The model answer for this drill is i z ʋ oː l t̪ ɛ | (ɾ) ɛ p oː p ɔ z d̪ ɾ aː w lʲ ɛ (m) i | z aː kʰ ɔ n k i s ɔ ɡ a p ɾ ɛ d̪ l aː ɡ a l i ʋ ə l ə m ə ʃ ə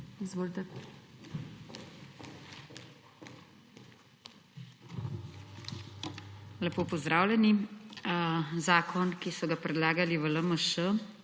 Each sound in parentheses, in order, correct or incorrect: incorrect: l, incorrect: n

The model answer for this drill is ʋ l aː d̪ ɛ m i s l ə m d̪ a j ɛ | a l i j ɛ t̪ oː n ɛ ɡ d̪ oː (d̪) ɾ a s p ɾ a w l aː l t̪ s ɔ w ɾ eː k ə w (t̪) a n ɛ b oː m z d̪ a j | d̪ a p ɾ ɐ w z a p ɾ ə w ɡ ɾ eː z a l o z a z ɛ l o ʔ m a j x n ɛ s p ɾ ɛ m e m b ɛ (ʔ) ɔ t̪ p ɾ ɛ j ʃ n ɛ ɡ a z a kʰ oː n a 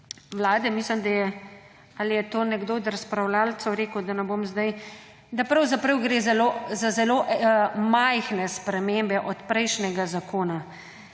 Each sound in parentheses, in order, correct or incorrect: correct, incorrect: d̪, correct

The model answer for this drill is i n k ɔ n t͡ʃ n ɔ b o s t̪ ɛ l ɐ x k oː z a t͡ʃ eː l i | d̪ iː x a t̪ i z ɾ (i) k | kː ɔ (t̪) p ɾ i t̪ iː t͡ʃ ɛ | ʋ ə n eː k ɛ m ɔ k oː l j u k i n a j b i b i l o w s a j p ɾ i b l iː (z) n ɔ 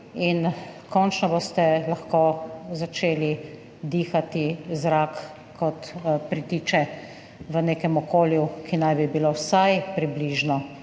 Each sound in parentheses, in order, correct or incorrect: incorrect: a, correct, incorrect: ʒ

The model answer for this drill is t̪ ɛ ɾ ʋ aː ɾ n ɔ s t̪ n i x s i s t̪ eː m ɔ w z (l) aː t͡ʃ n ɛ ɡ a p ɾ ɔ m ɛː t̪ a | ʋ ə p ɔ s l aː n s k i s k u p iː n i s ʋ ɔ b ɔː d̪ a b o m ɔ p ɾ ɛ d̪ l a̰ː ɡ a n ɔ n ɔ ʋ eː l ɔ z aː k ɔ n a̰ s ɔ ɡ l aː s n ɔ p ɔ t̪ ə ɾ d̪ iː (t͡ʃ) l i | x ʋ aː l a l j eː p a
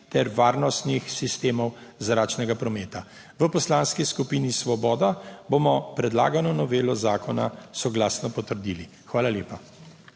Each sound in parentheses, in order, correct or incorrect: incorrect: ɾ, incorrect: none

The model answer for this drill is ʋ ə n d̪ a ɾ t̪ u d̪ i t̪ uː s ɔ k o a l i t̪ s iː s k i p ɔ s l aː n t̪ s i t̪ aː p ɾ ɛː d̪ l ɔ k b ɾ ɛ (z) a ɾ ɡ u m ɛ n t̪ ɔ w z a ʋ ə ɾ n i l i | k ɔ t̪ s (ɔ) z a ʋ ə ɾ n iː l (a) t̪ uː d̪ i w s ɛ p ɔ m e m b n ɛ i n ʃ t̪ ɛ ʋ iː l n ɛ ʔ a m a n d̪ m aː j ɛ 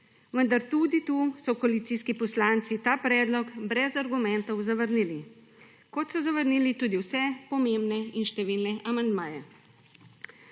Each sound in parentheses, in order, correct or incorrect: correct, correct, incorrect: i

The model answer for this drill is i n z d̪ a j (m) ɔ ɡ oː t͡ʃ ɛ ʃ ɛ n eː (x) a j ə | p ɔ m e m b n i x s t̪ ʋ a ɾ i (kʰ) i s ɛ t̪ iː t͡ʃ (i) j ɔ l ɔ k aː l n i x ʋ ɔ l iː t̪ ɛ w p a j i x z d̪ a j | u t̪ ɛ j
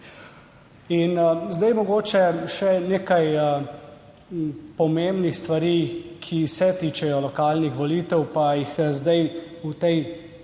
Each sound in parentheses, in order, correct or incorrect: correct, incorrect: k, correct, incorrect: ɛ

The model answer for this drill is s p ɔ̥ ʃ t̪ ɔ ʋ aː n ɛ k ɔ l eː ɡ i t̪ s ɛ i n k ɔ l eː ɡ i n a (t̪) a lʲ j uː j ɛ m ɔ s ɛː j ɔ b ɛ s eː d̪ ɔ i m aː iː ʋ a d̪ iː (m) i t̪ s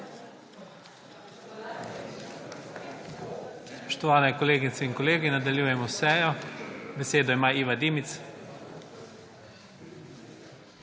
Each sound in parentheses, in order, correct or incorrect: incorrect: d̪, correct

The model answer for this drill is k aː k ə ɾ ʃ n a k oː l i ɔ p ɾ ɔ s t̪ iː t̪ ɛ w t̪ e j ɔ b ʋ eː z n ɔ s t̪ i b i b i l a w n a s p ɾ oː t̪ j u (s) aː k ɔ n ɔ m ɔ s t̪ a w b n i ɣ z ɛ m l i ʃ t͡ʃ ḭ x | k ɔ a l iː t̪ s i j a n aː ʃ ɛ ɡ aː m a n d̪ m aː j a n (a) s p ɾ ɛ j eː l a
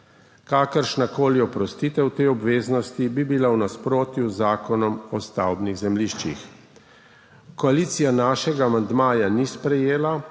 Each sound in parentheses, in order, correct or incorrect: incorrect: z, incorrect: i

